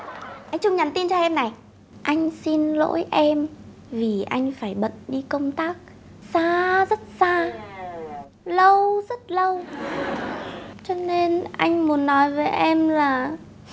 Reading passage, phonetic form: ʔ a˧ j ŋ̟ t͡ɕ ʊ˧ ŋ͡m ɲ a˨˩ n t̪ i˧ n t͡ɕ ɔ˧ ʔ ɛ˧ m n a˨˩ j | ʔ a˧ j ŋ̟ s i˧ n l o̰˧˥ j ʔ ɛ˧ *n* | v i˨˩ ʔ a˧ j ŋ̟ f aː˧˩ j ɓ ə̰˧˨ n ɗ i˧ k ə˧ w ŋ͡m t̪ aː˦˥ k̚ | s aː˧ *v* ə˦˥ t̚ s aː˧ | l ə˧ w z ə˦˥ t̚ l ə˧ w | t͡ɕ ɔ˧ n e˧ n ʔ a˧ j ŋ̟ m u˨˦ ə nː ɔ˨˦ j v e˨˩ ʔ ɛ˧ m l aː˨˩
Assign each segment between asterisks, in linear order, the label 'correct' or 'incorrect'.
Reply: incorrect: m, incorrect: z

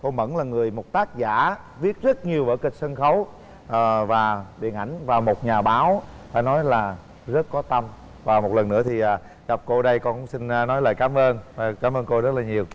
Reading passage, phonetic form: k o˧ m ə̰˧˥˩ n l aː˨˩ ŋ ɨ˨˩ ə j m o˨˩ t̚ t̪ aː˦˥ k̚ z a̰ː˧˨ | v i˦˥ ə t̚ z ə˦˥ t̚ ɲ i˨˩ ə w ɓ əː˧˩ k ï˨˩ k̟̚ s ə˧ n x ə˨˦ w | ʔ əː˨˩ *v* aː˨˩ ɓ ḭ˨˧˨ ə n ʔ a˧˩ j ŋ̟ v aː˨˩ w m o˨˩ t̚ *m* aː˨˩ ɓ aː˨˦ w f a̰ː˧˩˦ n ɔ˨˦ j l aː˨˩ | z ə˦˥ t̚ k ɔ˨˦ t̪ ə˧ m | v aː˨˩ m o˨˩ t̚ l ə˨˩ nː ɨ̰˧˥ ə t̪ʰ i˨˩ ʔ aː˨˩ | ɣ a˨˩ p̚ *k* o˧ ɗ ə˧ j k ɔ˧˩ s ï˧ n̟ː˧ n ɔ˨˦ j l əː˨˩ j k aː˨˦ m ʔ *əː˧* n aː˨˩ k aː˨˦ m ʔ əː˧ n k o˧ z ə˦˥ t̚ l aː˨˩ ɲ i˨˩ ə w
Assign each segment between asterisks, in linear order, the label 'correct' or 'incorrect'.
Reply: correct, incorrect: ɲ, correct, correct

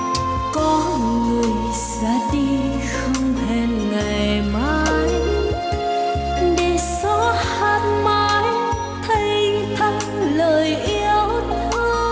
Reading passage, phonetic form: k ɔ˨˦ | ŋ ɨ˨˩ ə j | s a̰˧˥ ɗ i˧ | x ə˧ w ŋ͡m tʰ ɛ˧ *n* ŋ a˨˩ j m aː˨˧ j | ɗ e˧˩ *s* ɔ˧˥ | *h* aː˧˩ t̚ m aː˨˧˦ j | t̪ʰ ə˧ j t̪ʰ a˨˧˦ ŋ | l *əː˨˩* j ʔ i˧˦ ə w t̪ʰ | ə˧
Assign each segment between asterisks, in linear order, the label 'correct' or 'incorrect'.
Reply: correct, correct, correct, correct

